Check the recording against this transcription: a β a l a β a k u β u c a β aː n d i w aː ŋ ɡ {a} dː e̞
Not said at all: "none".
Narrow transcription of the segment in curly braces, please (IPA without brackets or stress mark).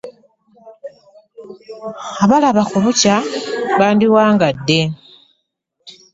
a